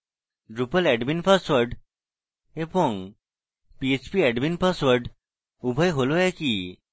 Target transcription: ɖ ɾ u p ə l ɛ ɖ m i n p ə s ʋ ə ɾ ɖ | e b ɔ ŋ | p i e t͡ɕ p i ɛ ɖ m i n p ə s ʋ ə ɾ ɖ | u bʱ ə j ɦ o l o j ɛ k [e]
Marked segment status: incorrect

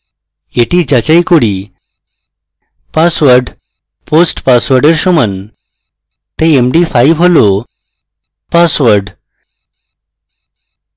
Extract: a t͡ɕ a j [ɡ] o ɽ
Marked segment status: incorrect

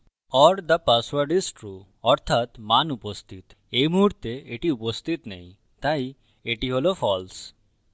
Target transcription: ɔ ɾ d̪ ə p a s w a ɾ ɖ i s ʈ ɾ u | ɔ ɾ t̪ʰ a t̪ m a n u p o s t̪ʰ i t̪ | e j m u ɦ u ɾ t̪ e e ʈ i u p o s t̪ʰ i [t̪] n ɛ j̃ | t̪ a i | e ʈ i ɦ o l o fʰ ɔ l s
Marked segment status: correct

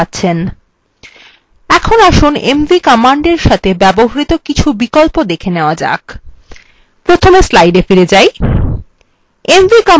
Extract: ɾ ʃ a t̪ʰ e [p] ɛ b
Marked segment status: incorrect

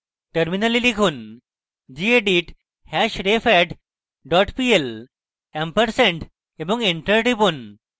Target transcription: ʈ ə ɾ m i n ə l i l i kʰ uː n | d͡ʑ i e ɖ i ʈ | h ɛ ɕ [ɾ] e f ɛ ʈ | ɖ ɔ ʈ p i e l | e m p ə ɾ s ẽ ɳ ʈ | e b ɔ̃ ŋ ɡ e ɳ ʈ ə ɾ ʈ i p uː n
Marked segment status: correct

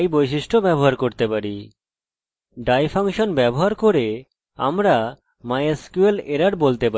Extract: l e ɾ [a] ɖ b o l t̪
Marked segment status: correct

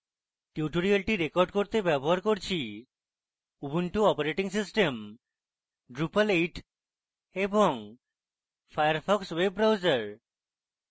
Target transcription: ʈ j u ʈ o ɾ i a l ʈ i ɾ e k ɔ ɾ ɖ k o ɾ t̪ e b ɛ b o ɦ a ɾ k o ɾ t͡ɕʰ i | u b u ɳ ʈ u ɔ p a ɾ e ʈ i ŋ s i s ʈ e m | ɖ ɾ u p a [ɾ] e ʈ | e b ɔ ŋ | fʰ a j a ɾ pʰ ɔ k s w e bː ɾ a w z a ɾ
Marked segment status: incorrect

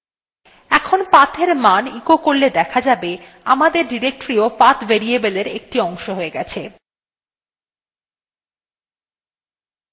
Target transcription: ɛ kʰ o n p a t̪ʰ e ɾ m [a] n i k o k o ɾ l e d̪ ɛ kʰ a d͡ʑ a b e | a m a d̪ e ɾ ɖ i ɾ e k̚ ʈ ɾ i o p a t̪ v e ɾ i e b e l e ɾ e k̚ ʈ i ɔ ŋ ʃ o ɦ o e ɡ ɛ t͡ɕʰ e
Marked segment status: correct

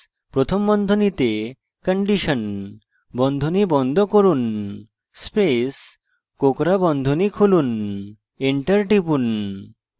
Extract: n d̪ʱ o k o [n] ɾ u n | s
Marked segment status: incorrect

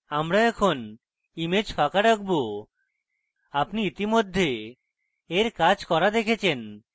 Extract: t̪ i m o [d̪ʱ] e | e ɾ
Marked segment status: incorrect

